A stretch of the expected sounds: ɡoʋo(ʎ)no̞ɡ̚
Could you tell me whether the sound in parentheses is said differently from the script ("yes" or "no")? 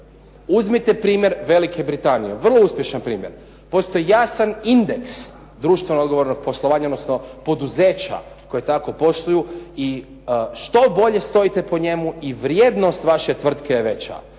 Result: yes